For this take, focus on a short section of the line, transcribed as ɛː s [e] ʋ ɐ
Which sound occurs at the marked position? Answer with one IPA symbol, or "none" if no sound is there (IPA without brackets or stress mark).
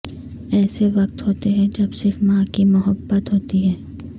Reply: e